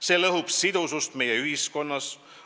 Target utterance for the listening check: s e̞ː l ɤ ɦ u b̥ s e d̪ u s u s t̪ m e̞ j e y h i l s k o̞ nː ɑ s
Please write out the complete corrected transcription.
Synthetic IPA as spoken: s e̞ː l ɤ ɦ u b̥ s i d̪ u s u s t̪ m e̞ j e y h i s k o̞ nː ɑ s

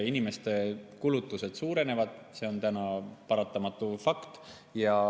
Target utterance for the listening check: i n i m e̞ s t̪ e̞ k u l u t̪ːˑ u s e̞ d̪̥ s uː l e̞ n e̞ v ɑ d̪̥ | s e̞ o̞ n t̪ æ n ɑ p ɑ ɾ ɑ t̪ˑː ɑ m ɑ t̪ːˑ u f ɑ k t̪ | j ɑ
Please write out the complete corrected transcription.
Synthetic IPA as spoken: i n i m e̞ s t̪ e̞ k u l u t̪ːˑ u s e̞ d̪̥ s uː ɾ e̞ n e̞ v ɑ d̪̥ | s e̞ o̞ n t̪ æ n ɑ p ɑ ɾ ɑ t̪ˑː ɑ m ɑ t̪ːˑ u f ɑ k t̪ | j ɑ

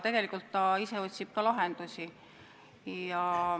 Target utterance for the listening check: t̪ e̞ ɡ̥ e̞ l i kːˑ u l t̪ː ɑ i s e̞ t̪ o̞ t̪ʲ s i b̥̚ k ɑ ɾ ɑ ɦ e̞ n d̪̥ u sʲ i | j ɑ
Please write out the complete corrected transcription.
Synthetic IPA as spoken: t̪ e̞ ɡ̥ e̞ l i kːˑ u l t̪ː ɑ i s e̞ o̞ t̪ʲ s i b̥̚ k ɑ l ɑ ɦ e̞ n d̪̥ u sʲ i | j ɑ

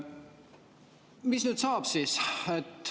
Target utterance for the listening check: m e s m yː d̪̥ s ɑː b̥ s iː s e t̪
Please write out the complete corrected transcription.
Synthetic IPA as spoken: m i s n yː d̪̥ s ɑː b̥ s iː s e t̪

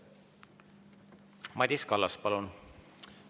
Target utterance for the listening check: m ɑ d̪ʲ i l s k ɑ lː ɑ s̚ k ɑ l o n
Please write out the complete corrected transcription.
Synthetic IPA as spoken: m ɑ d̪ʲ i s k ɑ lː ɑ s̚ p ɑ l u n

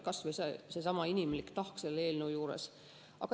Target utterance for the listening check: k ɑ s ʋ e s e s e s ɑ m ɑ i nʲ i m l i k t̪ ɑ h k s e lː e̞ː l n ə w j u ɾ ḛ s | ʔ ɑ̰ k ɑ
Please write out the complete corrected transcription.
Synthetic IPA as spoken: k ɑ s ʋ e s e s e s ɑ m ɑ i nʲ i m l i k t̪ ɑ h k s e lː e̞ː l n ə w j uː ɾ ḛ s | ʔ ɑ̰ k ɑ

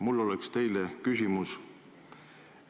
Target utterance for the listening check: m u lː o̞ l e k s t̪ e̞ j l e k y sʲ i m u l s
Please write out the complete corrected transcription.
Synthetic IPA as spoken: m u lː o̞ l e k s t̪ e̞ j l e k y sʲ i m u s

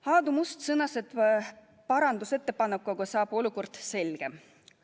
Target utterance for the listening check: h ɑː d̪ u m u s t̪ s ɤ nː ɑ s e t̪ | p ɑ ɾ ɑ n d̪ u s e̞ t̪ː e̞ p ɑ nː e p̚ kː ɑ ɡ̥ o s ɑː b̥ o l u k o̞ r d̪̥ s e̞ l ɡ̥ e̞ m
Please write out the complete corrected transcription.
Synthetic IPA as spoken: h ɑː d̪ u m u s t̪ s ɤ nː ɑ s e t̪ | p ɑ ɾ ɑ n d̪ u s e̞ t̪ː e̞ p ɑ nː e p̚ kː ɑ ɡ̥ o s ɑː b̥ o l u k o̞ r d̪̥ s e̞ l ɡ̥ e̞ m

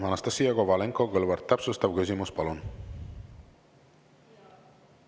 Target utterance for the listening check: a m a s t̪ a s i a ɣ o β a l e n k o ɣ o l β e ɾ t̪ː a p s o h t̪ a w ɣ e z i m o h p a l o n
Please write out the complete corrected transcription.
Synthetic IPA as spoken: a n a s t̪ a s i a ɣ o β a l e ŋ k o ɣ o l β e ɾ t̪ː a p s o s t̪ a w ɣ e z i m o s p a l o n

